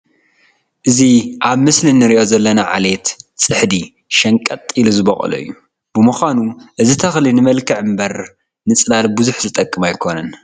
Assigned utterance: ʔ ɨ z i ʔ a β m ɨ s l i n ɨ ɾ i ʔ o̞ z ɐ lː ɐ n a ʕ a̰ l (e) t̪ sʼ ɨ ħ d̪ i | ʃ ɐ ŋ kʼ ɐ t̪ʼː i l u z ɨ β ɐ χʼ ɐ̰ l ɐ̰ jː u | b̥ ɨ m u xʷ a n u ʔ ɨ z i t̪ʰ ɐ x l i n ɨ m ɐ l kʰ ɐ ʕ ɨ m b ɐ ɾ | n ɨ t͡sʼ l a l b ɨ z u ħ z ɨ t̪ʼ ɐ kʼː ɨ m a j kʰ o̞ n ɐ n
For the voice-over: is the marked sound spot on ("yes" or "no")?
yes